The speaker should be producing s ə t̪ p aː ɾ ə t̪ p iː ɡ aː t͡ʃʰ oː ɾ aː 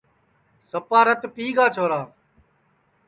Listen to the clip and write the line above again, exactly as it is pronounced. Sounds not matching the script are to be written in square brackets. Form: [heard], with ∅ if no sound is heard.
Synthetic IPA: s ə [∅] p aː ɾ ə t̪ p iː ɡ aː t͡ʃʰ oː ɾ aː

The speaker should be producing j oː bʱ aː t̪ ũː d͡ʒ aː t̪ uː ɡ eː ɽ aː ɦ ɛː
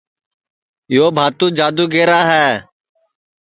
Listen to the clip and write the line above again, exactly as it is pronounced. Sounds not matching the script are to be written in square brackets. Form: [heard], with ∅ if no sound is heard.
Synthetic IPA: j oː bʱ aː t̪ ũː d͡ʒ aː [d̪] uː ɡ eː [ɾ] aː ɦ ɛː

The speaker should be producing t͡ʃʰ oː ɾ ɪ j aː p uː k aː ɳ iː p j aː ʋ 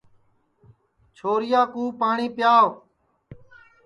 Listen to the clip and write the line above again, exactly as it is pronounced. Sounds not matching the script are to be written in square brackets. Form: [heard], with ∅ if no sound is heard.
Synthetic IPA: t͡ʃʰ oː ɾ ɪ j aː [k] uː [p] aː ɳ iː p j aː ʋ

